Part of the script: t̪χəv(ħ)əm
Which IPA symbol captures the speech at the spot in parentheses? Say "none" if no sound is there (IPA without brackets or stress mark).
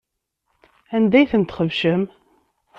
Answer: ʃ